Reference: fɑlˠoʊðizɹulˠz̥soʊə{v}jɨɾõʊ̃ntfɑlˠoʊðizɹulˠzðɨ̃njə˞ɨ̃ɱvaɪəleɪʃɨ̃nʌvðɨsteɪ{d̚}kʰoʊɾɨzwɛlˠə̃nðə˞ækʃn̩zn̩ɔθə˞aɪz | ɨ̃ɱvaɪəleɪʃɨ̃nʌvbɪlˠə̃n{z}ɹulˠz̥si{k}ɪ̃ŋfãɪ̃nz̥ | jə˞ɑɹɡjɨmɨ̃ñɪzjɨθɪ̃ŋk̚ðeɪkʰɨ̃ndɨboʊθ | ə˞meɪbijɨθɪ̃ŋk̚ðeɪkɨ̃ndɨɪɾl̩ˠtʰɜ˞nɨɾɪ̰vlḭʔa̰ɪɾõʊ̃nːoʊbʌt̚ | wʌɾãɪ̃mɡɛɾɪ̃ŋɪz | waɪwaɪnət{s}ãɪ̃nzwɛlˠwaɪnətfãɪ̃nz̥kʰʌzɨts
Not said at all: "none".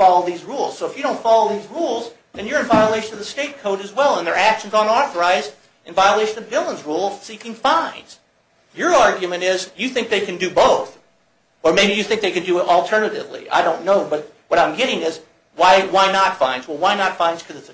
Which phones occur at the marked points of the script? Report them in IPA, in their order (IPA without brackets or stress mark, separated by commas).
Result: f, t̚, z, k, f